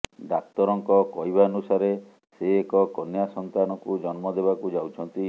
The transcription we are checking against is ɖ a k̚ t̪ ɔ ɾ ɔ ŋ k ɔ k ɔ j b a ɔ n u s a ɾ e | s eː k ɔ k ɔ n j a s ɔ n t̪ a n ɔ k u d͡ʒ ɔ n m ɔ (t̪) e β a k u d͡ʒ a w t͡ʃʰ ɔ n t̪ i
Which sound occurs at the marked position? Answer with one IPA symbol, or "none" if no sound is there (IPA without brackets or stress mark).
d̪